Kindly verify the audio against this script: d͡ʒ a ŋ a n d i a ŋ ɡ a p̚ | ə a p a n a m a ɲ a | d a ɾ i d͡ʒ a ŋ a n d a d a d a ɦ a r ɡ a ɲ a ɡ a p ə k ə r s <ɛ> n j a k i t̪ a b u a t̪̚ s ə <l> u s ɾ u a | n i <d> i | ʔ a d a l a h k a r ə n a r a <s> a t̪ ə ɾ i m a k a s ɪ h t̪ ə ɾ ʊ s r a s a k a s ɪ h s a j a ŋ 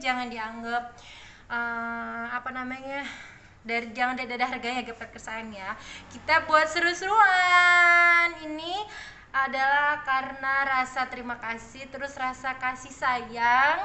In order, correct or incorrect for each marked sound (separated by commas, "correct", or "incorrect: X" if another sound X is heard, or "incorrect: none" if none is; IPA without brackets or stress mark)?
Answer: incorrect: a, incorrect: ɾ, incorrect: n, correct